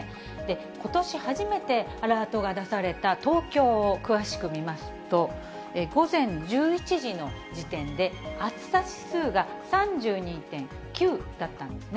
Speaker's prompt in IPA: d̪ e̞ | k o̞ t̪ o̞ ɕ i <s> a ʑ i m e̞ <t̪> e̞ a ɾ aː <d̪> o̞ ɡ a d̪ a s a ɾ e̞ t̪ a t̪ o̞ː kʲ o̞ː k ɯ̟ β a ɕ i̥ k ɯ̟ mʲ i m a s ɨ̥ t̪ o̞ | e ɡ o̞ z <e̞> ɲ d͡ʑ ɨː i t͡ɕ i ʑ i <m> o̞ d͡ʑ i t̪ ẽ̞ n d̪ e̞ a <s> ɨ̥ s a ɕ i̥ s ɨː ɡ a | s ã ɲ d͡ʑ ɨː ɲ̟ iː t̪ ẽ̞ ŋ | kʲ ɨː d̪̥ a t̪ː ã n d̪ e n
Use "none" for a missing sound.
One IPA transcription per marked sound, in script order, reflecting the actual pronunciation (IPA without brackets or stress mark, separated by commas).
h, t̪, t̪, ẽ̞, n, t͡s